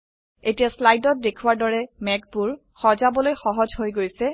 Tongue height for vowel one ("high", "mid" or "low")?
mid